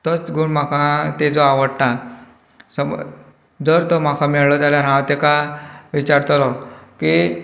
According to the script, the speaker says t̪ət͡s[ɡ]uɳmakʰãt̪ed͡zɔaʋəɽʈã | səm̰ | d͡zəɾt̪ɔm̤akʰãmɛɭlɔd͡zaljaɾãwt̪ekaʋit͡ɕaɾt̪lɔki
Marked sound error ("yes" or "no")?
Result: no